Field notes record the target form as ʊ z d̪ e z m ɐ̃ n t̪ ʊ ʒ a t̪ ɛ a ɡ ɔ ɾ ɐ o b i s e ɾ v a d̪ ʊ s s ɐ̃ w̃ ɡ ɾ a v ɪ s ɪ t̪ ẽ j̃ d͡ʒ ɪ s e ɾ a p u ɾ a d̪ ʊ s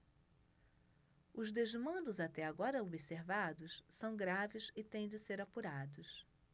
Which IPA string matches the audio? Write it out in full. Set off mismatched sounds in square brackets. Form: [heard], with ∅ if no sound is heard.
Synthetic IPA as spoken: ʊ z d̪ e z m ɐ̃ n [d̪] ʊ [z] a t̪ ɛ a ɡ ɔ ɾ ɐ o b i s e ɾ v a d̪ ʊ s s ɐ̃ w̃ ɡ ɾ a v ɪ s ɪ t̪ ẽ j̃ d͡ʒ ɪ s e ɾ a p u ɾ a d̪ ʊ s